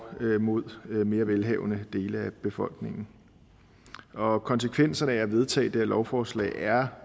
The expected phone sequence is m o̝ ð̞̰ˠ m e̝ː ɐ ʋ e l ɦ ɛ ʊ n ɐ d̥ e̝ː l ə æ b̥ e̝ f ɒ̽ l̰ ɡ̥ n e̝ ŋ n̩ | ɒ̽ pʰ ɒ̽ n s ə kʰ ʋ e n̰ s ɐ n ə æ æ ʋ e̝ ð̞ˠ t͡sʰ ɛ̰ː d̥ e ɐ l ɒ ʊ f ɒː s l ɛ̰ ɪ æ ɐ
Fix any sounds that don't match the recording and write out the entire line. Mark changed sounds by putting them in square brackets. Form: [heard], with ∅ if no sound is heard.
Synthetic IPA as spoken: m o̝ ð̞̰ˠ m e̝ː ɐ ʋ e l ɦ ɛ ʊ n [ə] d̥ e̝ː l ə æ b̥ e̝ f ɒ̽ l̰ ɡ̥ n e̝ ŋ n̩ | ɒ̽ [kʰ] ɒ̽ n s ə kʰ ʋ e n̰ s ɐ n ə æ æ ʋ e̝ ð̞ˠ t͡sʰ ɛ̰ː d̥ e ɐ l ɒ ʊ f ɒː s l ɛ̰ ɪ æ ɐ